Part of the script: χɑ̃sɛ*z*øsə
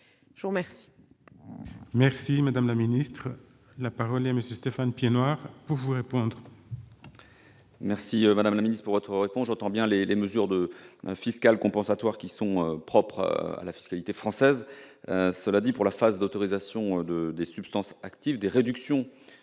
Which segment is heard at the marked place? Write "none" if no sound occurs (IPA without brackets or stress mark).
z